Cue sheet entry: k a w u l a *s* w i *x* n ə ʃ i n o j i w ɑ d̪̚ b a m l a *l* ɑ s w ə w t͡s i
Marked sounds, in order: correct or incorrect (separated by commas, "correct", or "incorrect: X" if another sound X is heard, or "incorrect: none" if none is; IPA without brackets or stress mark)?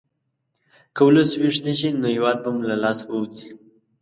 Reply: correct, incorrect: ʂ, correct